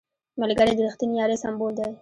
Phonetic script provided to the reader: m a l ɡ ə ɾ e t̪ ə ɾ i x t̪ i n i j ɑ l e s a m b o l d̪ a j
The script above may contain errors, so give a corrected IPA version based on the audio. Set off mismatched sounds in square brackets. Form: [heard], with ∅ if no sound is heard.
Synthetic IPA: m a l ɡ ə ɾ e [d̪] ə ɾ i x t̪ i n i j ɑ [ɾ] e s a m b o l d̪ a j